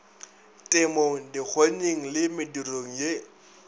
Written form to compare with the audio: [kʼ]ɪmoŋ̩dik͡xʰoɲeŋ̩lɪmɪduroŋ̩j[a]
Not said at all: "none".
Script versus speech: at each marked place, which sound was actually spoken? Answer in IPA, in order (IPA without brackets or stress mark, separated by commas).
tʼ, e